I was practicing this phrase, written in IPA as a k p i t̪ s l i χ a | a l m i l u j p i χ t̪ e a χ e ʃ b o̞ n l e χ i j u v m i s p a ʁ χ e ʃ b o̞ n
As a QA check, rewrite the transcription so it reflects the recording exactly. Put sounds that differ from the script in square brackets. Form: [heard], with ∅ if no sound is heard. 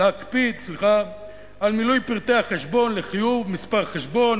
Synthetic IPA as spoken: a k p i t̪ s l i χ a | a l m i l u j p i [ʁ] t̪ e a χ e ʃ b o̞ n l e χ i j u v m i s p a ʁ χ e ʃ b o̞ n